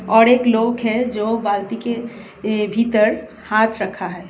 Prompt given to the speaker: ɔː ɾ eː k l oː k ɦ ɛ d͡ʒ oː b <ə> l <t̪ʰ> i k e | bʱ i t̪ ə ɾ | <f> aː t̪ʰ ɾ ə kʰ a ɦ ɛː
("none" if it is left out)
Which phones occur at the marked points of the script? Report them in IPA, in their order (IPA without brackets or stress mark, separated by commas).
a, t̪, h